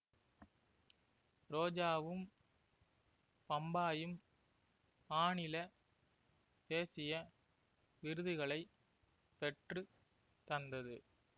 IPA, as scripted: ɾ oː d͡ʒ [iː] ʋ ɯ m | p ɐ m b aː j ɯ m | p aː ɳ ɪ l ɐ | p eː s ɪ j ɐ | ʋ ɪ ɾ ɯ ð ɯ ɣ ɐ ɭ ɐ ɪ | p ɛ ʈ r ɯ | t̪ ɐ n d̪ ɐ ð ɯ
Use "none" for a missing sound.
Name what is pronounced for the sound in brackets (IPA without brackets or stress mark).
aː